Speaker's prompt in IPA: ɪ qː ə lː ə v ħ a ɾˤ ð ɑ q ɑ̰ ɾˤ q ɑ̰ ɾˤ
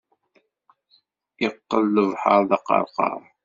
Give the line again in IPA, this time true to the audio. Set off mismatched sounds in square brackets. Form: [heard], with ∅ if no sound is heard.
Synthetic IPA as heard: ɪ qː ə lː ə v ħ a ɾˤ ð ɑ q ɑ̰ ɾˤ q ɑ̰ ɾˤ